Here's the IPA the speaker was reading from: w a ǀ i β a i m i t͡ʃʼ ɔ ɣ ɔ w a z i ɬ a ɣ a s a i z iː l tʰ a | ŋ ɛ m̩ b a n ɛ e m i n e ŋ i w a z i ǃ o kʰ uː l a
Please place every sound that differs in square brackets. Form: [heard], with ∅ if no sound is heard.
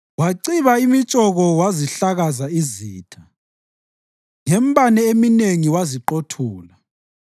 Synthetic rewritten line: w a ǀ i β a i m i t͡ʃʼ ɔ ɣ ɔ w a z i ɬ a ɣ a [z] a i z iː [∅] tʰ a | ŋ ɛ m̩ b a n ɛ e m i n e ŋ i w a z i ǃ o [tʰ] uː l a